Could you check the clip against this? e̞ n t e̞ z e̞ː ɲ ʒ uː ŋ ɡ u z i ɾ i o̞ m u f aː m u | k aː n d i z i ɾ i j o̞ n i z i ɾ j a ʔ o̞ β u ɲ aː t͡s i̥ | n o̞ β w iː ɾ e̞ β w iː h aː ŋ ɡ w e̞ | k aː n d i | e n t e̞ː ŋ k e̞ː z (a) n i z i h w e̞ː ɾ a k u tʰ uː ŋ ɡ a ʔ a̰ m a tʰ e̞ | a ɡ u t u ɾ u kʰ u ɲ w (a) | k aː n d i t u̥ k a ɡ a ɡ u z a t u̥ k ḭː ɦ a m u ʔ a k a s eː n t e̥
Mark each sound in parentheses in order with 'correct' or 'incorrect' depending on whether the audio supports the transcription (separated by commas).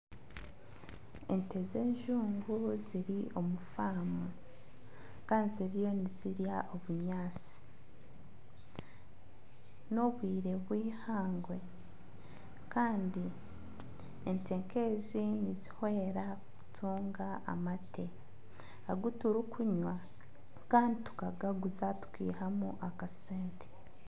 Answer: incorrect, correct